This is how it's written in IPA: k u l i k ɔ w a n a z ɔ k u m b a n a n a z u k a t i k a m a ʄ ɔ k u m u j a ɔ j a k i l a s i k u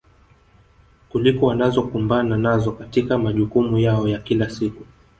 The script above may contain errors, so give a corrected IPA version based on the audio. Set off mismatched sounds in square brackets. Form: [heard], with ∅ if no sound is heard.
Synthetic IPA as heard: k u l i k ɔ w a n a z ɔ k u m b a n a n a z [ɔ] k a t i k a m a ʄ [u] k u m u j a ɔ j a k i l a s i k u

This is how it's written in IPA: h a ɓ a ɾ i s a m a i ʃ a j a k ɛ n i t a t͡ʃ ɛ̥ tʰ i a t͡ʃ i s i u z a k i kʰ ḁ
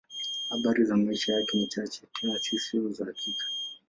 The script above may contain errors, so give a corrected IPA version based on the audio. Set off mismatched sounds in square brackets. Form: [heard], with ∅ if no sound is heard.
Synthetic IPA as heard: h a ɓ a ɾ i [z] a m a i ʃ a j a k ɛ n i [t͡ʃ] a t͡ʃ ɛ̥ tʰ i a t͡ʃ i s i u z a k i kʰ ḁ

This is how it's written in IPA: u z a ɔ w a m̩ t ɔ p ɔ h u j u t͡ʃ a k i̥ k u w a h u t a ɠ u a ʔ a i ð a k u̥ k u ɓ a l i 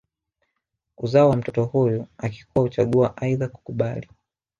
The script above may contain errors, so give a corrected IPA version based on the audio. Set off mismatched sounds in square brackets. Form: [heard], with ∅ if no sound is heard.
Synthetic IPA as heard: u z a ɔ w a m̩ t ɔ [t] ɔ h u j u [∅] a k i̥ k u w a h u [t͡ʃ] a ɠ u a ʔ a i ð a k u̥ k u ɓ a l i

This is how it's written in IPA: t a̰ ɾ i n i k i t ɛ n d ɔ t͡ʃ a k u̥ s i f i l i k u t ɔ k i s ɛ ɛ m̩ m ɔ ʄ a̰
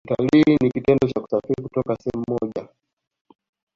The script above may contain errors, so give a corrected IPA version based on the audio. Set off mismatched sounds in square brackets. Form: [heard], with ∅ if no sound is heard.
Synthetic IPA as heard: t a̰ [l] i n i k i t ɛ n d ɔ t͡ʃ a k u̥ s [a] f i [ɾ] i k u t ɔ k [a] s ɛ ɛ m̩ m ɔ ʄ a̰

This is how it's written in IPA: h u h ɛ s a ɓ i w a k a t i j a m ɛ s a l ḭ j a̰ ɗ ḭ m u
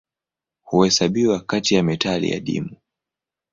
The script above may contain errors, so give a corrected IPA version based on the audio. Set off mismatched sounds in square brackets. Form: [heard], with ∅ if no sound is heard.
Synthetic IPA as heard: h u h ɛ s a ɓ i w a k a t i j a m ɛ [t] a l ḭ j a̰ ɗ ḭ m u

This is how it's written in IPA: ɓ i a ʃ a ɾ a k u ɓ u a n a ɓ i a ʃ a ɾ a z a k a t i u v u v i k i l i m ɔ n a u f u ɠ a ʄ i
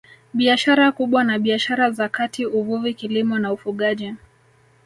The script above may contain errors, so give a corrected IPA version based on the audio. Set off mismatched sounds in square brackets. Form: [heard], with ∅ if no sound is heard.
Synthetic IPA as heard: ɓ i a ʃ a ɾ a k u ɓ [w] a n a ɓ i a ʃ a ɾ a z a k a t i u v u v i k i l i m ɔ n a u f u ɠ a ʄ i

